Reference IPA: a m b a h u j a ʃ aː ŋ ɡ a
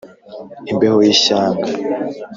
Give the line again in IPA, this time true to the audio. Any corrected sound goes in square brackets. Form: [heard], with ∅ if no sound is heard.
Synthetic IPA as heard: [i] m b [e] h [o] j [i] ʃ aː ŋ ɡ a